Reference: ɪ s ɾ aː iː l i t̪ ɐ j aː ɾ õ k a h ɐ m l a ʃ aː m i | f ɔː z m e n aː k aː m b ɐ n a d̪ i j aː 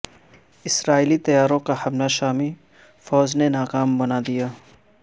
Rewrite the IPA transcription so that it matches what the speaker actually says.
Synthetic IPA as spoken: ɪ s ɾ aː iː l i t̪ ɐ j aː ɾ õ k a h ɐ m l a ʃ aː m i | f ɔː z n e n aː k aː m b ɐ n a d̪ i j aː